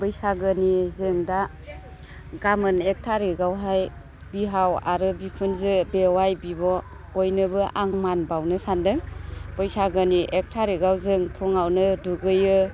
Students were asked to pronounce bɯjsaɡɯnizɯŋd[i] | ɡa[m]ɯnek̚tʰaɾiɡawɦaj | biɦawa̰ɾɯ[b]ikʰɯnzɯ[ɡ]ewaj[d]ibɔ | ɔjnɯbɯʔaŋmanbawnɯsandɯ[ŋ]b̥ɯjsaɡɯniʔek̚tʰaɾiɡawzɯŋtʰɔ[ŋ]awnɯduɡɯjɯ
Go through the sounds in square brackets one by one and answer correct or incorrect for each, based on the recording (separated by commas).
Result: incorrect, correct, correct, incorrect, incorrect, correct, correct